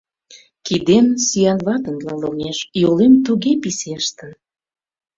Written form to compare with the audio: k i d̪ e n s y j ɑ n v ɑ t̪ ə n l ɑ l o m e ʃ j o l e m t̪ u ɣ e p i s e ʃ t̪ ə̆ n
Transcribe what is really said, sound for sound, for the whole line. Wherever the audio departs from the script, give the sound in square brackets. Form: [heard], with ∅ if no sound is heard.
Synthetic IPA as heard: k i d̪ e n s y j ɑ n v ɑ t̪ ə n l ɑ l o [ŋ] e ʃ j o l e m t̪ u ɣ e p i s e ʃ t̪ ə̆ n